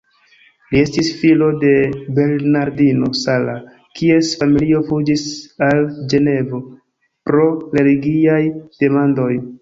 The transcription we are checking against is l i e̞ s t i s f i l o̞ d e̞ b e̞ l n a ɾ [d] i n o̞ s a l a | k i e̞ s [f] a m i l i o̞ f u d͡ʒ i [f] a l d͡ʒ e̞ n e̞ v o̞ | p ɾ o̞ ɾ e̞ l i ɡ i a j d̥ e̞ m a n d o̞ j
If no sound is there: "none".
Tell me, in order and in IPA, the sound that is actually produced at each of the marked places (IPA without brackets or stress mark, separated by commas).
d, f, s